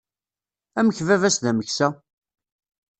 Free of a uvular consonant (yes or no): yes